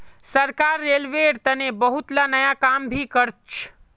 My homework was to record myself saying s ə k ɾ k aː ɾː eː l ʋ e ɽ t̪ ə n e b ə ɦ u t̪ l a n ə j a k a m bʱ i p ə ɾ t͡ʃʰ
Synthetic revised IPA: s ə ɾ k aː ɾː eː l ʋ e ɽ t̪ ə n e b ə ɦ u t̪ l a n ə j a k a m bʱ i k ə ɾ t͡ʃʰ